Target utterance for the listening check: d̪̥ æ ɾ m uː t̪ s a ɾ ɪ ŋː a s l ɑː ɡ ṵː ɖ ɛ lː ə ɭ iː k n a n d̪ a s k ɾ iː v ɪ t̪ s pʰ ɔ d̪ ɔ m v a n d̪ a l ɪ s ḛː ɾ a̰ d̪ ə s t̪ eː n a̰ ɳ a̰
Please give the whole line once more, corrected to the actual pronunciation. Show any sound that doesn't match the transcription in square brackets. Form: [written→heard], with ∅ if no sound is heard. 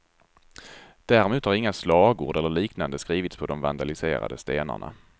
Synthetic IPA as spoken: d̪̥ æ ɾ m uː t̪ [s→h] a ɾ ɪ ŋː a s l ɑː ɡ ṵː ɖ ɛ lː ə ɭ iː k n a n d̪ [a→ə] s k ɾ iː v ɪ t̪ s pʰ ɔ d̪ ɔ m v a n d̪ a l ɪ s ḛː ɾ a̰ d̪ ə s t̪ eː n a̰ ɳ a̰